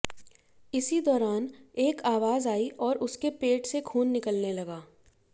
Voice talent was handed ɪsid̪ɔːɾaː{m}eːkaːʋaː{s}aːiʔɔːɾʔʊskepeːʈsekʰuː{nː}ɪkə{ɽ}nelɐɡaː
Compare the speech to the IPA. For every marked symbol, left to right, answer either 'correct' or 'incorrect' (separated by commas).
incorrect, incorrect, correct, incorrect